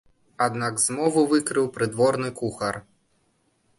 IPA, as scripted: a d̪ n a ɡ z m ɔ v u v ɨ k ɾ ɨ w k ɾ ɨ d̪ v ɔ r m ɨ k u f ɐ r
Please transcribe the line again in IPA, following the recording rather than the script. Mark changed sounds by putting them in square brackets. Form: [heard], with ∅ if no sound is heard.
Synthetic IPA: a d̪ n a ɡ z m ɔ v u v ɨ k ɾ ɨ w [p] ɾ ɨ d̪ v ɔ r [n] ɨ k u [x] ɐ r